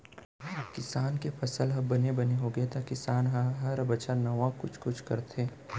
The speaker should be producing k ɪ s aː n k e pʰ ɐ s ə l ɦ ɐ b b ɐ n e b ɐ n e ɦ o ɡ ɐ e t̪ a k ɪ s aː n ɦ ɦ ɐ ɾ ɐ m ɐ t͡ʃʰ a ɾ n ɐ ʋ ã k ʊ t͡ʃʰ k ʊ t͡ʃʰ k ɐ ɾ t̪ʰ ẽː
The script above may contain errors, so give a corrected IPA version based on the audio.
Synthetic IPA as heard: k ɪ s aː n k e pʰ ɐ s ə l ɦ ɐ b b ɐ n e b ɐ n e ɦ o ɡ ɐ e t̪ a k ɪ s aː n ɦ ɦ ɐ ɾ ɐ b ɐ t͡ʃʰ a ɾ n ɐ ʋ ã k ʊ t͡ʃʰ k ʊ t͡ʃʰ k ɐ ɾ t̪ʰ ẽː